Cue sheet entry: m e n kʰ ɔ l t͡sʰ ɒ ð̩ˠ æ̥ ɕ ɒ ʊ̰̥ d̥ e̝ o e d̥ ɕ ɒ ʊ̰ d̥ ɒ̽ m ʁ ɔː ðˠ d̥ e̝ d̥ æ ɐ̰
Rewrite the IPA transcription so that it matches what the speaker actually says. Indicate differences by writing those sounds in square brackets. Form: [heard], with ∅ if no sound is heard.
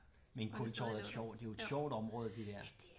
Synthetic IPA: m e n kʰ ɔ l t͡sʰ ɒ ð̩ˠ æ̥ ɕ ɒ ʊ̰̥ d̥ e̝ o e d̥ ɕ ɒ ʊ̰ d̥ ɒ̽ m ʁ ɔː ðˠ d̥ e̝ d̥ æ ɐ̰